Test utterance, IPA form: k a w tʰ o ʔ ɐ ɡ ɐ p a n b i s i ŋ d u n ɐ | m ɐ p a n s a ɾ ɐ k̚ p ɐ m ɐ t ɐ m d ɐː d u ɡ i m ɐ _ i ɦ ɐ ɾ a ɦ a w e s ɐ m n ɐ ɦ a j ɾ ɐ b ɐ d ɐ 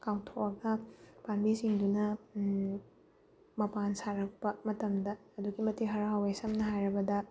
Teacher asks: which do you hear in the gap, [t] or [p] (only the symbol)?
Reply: t